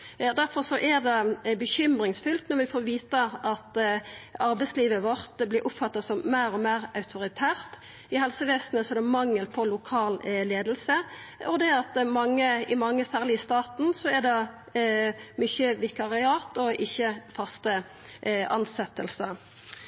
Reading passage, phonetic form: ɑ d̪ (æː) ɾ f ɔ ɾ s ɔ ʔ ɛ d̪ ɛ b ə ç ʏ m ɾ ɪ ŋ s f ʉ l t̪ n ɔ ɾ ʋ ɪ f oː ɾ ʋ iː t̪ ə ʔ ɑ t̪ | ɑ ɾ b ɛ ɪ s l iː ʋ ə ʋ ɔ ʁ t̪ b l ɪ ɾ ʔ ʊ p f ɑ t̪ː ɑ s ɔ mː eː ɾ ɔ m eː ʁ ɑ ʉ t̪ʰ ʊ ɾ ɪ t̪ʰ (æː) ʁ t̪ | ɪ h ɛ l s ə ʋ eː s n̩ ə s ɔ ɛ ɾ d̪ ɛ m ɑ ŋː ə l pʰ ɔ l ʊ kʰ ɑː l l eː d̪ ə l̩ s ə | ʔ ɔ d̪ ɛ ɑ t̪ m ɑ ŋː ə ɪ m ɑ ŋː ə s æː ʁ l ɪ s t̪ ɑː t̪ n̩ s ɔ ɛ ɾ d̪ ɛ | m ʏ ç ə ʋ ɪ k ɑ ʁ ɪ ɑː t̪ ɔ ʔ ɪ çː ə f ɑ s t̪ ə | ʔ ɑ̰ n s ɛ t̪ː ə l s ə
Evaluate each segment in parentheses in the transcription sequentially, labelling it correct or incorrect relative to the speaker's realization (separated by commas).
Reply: incorrect, correct